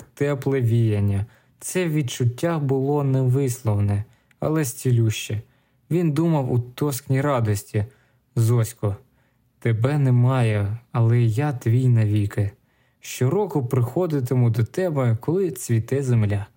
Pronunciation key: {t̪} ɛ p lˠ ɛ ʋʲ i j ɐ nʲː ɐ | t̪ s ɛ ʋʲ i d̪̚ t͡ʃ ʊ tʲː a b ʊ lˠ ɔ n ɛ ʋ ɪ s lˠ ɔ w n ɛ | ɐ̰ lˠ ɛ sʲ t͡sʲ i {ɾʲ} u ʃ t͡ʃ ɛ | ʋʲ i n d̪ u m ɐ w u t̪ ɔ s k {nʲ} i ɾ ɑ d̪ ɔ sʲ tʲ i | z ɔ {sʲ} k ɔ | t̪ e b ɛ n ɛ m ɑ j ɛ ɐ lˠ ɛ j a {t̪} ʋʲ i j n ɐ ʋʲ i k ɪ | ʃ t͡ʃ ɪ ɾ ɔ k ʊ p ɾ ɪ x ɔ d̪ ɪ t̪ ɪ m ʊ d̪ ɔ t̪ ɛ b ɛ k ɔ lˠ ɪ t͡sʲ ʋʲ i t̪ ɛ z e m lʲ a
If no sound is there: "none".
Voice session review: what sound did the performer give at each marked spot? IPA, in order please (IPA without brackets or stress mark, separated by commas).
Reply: t̪, lʲ, nʲ, sʲ, t̪